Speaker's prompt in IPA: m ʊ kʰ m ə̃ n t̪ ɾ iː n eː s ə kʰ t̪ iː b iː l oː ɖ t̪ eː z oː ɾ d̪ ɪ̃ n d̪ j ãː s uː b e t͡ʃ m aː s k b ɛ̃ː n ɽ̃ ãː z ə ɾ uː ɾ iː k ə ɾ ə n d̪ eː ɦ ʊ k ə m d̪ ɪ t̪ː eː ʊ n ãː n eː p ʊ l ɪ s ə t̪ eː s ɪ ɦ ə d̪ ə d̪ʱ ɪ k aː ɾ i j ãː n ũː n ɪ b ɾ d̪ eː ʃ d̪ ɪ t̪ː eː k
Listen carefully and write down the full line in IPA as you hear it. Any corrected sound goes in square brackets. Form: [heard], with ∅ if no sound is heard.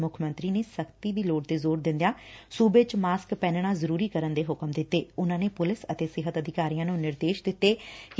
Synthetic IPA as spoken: m ʊ kʰ m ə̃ n t̪ ɾ iː n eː s ə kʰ t̪ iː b iː l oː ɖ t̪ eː z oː ɾ d̪ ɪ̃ n d̪ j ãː s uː b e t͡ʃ m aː s k [p] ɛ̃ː n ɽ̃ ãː z ə ɾ uː ɾ iː k ə ɾ ə n d̪ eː ɦ ʊ k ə m d̪ ɪ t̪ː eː ʊ n ãː n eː p ʊ l ɪ s ə t̪ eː s ɪ ɦ ə [t̪] ə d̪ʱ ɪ k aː ɾ i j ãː n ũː n ɪ [∅] ɾ d̪ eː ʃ d̪ ɪ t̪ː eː k

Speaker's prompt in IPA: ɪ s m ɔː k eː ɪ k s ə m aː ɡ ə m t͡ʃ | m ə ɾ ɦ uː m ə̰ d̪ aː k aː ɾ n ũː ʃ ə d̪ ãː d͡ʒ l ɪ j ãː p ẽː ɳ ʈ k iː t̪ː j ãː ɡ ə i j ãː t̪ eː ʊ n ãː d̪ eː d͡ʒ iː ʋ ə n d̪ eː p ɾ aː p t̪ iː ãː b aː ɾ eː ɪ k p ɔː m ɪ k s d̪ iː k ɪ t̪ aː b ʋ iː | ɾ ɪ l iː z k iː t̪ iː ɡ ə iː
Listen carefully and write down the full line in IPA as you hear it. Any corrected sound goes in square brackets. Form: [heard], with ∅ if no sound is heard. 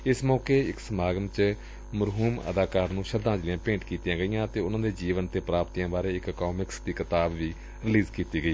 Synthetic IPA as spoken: ɪ s m ɔː k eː ɪ k s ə m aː ɡ ə m t͡ʃ | m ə ɾ ɦ uː m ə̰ d̪ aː k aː ɾ n ũː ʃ ə d̪ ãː d͡ʒ l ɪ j ãː p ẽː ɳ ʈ k iː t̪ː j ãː ɡ ə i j ãː t̪ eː ʊ n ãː d̪ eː d͡ʒ iː ʋ ə n [t̪] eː p ɾ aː p t̪ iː ãː b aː ɾ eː ɪ k [k] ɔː m ɪ k s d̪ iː k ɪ t̪ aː b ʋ iː | ɾ ɪ l iː z k iː t̪ iː ɡ ə iː

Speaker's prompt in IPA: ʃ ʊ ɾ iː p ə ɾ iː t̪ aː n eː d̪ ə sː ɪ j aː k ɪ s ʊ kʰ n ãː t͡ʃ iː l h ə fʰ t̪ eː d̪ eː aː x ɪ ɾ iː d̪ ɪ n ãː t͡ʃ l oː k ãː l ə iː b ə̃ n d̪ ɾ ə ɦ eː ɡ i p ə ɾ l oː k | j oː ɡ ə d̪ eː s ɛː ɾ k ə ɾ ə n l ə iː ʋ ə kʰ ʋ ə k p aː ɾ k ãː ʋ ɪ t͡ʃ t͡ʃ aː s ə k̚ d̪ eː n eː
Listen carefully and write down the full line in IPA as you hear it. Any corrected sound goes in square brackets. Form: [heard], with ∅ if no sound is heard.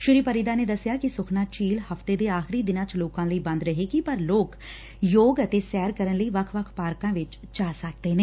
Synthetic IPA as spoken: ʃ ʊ ɾ iː p ə ɾ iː [d̪] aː n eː d̪ ə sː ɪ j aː k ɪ s ʊ kʰ n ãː t͡ʃ iː l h ə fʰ t̪ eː d̪ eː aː x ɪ ɾ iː d̪ ɪ n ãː t͡ʃ l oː k ãː l ə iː b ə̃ n d̪ ɾ ə ɦ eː ɡ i p ə ɾ l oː k | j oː ɡ ə [t̪] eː s ɛː ɾ k ə ɾ ə n l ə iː ʋ ə kʰ ʋ ə [kʰ] p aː ɾ k ãː ʋ ɪ t͡ʃ t͡ʃ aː s ə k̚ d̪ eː n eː

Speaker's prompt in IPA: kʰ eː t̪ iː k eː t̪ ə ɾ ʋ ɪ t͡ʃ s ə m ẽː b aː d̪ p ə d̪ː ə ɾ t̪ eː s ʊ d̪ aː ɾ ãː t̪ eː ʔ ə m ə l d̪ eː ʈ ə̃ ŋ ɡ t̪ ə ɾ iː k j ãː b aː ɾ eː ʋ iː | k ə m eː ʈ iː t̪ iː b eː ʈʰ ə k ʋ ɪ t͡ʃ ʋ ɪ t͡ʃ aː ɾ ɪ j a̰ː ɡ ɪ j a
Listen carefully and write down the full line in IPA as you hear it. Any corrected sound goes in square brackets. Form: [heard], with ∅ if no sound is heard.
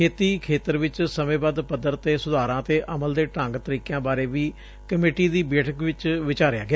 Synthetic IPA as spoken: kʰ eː t̪ iː [kʰ] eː t̪ ə ɾ ʋ ɪ t͡ʃ s ə m ẽː b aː d̪ p ə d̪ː ə ɾ t̪ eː s ʊ d̪ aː ɾ ãː t̪ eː ʔ ə m ə l d̪ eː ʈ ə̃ ŋ ɡ t̪ ə ɾ iː k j ãː b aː ɾ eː ʋ iː | k ə m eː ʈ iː [d̪] iː b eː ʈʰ ə k ʋ ɪ t͡ʃ ʋ ɪ t͡ʃ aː ɾ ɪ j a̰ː ɡ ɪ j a

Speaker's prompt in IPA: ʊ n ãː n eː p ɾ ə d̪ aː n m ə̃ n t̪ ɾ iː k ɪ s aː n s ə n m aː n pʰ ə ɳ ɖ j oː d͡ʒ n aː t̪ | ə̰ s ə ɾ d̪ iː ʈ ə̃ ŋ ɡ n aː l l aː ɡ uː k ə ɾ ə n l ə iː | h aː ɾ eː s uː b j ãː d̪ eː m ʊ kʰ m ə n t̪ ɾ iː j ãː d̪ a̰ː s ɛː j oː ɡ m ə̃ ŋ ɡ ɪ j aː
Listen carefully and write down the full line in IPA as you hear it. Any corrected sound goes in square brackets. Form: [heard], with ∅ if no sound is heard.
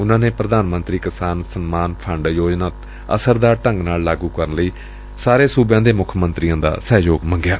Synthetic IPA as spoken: ʊ n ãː n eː p ɾ ə d̪ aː n m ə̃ n t̪ ɾ iː k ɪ s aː n s ə n m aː n pʰ ə ɳ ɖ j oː d͡ʒ n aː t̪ | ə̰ s ə ɾ d̪ [aː] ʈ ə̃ ŋ ɡ n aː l l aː ɡ uː k ə ɾ ə n l ə iː | [s] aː ɾ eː s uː b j ãː d̪ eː m ʊ kʰ m ə n t̪ ɾ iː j ãː d̪ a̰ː s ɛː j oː ɡ m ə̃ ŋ ɡ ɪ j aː

